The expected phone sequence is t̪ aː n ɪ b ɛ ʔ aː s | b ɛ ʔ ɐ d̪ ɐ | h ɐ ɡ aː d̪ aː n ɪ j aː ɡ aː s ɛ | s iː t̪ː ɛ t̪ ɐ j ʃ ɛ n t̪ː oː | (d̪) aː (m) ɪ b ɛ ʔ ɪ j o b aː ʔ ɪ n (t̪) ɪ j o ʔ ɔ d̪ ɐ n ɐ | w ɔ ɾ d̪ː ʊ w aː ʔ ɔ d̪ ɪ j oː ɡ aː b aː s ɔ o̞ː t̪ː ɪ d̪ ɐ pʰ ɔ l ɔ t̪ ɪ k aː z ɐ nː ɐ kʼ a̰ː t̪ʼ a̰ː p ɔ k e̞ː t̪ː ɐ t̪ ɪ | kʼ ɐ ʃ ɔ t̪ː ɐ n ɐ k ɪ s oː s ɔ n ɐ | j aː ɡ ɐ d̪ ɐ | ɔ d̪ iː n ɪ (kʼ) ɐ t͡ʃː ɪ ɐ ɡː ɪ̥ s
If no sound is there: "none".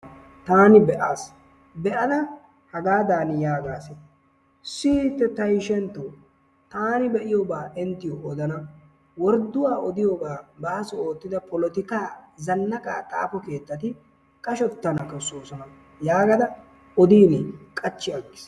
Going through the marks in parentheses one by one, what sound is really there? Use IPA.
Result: t̪, n, t̪, kʼ

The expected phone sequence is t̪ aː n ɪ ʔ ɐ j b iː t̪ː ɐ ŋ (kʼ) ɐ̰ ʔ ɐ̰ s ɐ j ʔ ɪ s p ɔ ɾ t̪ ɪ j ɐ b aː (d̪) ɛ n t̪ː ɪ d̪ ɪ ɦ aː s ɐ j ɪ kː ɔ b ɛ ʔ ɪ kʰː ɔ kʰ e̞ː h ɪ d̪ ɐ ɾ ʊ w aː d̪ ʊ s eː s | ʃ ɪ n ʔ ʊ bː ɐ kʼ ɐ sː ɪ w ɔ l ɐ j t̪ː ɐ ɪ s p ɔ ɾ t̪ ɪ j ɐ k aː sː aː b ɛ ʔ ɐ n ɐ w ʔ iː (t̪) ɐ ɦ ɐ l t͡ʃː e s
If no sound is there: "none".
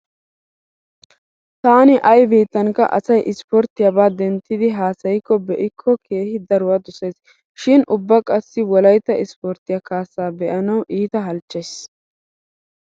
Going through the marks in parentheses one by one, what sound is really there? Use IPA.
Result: k, d̪, t̪

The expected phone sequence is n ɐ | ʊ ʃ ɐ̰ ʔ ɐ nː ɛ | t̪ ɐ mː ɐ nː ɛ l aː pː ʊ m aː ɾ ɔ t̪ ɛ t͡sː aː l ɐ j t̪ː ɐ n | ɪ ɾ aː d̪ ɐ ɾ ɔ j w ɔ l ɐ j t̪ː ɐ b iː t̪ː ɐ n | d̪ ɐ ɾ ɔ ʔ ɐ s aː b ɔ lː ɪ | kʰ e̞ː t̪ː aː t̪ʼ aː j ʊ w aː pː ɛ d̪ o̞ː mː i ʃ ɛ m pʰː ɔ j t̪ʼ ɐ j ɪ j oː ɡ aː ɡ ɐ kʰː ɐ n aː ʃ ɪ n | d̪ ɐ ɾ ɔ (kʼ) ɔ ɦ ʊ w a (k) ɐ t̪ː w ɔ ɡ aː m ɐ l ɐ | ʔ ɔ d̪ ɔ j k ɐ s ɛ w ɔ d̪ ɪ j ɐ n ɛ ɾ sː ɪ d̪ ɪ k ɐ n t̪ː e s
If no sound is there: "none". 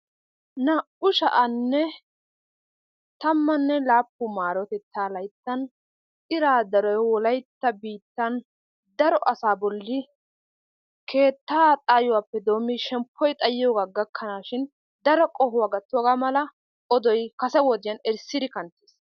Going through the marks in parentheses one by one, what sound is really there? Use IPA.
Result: kʼ, ɡ

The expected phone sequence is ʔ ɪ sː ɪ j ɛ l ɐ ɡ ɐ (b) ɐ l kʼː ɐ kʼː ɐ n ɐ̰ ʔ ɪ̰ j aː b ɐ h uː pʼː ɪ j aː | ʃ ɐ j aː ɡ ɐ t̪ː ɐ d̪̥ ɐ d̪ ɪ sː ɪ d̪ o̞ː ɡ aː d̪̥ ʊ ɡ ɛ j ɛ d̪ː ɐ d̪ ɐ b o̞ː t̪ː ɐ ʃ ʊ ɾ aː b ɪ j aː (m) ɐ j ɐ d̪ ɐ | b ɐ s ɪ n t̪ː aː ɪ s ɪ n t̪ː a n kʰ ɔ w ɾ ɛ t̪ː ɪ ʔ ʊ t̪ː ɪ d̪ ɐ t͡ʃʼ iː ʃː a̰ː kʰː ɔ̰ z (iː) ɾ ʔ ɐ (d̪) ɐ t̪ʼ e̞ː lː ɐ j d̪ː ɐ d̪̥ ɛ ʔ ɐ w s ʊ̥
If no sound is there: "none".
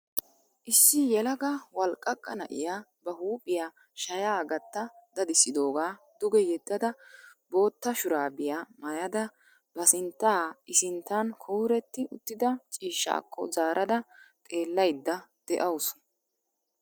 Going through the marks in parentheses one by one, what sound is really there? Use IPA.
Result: w, m, aː, d̪

